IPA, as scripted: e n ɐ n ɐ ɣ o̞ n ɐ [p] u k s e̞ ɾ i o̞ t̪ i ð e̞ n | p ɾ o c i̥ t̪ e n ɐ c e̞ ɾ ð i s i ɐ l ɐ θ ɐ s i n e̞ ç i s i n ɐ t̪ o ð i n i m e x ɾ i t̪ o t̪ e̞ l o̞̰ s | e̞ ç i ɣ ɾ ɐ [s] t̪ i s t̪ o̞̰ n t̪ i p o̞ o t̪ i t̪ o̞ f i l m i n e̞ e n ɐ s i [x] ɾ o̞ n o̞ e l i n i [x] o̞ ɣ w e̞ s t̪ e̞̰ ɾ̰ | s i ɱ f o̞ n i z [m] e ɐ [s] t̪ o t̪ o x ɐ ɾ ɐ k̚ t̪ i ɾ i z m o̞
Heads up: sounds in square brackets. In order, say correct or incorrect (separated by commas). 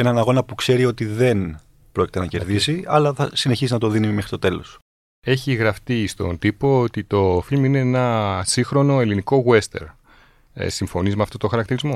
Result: correct, incorrect, correct, incorrect, correct, incorrect